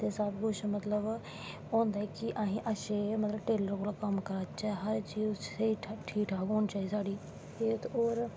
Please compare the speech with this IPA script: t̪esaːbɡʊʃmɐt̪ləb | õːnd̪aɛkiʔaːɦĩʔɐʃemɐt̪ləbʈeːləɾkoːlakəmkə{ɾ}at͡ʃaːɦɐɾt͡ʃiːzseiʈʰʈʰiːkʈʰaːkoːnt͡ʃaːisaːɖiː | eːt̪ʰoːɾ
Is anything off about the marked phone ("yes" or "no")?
no